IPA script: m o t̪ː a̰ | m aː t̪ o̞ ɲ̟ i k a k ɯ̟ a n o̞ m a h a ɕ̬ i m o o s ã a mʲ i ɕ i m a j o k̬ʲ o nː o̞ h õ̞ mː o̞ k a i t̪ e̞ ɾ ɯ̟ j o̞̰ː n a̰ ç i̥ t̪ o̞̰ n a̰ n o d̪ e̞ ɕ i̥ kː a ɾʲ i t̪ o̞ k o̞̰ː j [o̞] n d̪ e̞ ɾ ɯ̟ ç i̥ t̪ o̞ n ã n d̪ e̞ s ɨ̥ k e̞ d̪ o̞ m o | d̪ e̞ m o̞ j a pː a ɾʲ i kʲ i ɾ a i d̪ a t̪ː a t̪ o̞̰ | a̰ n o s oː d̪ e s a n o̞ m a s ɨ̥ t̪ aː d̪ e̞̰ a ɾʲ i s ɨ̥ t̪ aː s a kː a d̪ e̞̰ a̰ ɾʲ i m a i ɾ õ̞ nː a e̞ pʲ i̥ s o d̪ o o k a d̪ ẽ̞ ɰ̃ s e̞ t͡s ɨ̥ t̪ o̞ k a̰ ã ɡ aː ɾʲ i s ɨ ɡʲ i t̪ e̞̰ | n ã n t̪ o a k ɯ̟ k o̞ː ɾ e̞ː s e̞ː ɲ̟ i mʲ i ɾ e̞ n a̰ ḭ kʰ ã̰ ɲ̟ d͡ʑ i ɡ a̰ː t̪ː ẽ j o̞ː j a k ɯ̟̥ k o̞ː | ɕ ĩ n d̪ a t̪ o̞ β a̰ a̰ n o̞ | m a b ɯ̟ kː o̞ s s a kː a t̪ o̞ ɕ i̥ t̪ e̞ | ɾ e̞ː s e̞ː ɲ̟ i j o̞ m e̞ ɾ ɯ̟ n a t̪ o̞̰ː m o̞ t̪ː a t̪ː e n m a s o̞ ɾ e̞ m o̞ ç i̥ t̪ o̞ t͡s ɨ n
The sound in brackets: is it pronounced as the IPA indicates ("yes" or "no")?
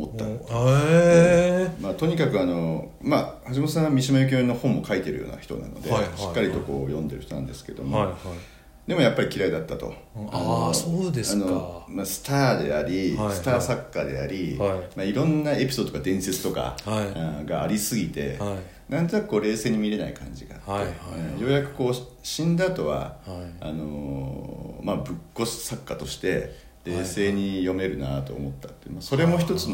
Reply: no